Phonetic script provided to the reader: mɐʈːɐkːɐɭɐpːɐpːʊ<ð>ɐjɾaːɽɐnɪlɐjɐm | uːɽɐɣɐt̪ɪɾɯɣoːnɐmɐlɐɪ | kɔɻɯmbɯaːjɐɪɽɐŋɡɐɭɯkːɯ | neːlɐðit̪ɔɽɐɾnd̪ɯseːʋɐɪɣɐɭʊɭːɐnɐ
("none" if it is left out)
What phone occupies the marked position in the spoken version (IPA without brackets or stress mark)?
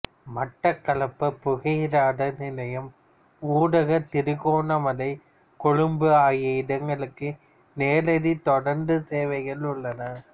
ɣ